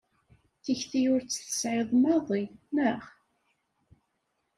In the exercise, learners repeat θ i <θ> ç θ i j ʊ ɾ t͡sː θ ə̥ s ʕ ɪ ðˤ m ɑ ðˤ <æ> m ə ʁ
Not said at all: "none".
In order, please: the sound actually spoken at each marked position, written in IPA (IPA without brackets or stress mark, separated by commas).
none, i